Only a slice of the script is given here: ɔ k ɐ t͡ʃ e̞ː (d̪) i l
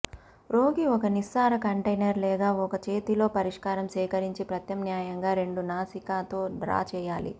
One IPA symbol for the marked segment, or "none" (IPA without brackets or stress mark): t̪